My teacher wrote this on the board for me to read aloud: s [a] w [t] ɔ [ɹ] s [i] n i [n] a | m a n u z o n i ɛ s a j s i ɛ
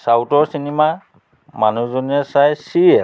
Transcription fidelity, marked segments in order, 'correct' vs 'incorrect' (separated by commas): correct, correct, correct, correct, incorrect